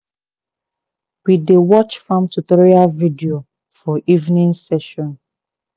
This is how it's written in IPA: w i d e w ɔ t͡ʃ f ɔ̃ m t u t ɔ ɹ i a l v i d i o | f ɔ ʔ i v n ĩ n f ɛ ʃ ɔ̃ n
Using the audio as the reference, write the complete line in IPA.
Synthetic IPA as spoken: w i d e w ɔ t͡ʃ f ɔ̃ m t u t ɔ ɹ i a l v i d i o | f ɔ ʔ i v n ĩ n s ɛ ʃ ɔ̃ n